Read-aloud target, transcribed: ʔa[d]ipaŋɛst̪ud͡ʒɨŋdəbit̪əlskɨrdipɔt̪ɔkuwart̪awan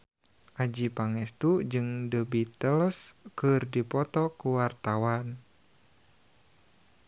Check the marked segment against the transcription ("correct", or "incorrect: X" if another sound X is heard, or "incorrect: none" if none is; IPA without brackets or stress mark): incorrect: d͡ʒ